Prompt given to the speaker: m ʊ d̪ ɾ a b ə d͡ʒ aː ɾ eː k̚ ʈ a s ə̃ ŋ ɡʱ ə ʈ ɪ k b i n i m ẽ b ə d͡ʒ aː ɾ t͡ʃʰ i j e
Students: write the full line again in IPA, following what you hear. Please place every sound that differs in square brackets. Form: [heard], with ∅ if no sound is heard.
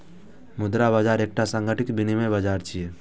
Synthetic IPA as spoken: m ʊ d̪ ɾ a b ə d͡ʒ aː ɾ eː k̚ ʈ a s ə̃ ŋ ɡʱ ə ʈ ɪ k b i n i m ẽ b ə d͡ʒ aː ɾ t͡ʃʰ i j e